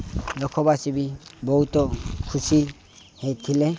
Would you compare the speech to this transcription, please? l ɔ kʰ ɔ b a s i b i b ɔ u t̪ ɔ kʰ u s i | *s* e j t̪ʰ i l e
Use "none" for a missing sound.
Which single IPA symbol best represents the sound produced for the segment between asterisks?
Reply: h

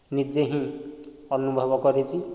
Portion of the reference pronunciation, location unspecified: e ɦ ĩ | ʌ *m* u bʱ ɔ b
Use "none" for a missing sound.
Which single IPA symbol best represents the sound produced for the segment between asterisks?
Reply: n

